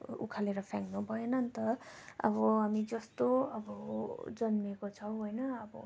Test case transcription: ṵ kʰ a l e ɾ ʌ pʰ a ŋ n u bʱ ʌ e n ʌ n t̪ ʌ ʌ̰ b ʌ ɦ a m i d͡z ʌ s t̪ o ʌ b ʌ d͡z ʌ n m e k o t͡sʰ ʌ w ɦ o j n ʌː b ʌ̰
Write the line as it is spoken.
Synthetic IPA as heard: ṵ kʰ a l e ɾ ʌ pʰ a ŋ n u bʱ ʌ e n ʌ n t̪ ʌ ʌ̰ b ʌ ɦ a m i d͡z ʌ s t̪ o ʌ b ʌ d͡z ʌ n m e k o t͡sʰ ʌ w ɦ o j n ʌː b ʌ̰